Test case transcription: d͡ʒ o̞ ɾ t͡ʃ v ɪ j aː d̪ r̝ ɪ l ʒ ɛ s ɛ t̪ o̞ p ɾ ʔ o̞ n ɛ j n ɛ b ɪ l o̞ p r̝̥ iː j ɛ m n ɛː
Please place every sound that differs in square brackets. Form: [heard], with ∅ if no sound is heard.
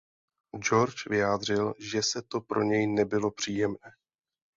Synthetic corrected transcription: d͡ʒ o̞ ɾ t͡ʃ v ɪ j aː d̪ r̝ ɪ l ʒ ɛ s ɛ t̪ o̞ p ɾ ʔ o̞ [ɲ] ɛ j n ɛ b ɪ l o̞ p r̝̥ iː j ɛ m n ɛː